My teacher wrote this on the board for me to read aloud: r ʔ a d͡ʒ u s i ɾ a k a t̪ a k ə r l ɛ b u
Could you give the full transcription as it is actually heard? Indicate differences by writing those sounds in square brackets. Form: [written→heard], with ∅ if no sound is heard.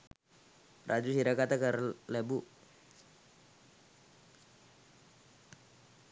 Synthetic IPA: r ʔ a d͡ʒ u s i ɾ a k a t̪ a k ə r l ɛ b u